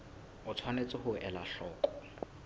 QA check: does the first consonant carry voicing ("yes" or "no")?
no